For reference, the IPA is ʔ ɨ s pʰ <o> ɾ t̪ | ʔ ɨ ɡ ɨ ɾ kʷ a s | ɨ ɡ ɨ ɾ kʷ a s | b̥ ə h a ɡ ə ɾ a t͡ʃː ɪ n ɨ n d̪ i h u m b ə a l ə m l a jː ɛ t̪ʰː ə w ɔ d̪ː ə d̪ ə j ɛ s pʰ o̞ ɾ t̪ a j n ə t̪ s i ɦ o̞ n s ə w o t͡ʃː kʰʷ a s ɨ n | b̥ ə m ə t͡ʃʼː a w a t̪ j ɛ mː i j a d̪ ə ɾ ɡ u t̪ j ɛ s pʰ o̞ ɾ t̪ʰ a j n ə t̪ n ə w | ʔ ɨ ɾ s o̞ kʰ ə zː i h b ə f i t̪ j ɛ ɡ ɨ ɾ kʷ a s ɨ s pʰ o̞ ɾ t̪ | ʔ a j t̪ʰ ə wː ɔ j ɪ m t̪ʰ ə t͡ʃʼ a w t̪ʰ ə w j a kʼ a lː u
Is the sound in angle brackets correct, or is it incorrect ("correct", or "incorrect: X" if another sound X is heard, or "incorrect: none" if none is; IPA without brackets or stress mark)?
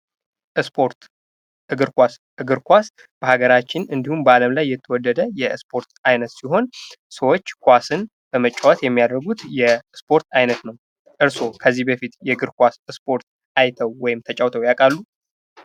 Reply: correct